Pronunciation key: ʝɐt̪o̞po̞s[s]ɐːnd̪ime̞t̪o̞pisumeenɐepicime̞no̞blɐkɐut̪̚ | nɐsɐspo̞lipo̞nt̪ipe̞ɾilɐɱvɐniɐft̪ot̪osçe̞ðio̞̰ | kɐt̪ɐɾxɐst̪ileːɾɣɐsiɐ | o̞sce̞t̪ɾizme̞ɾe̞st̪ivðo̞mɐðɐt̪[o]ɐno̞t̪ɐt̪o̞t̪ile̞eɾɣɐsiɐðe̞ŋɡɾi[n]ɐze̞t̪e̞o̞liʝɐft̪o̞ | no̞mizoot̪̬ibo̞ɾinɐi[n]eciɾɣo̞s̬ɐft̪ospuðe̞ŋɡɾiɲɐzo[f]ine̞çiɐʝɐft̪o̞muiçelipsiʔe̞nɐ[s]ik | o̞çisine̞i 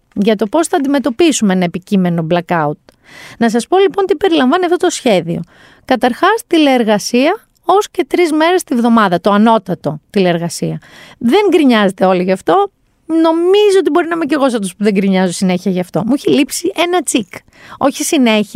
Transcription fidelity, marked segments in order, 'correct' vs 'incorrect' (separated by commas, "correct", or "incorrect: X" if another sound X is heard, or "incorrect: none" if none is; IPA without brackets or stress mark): incorrect: θ, correct, incorrect: ɲ, incorrect: m, incorrect: s, incorrect: t͡s